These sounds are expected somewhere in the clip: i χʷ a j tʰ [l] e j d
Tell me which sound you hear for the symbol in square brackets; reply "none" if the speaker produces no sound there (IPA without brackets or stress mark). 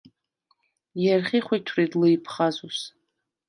r